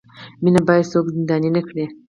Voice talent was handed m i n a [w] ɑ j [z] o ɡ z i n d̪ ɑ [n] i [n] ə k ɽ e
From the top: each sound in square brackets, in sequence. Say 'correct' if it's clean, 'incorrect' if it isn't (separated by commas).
incorrect, incorrect, correct, correct